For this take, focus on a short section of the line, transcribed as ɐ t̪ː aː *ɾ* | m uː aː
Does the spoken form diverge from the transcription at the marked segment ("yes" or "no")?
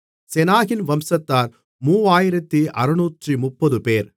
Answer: no